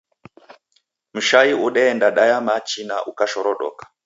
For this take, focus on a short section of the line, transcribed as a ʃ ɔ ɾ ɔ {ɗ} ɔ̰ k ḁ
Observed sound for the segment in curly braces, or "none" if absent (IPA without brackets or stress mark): ɗ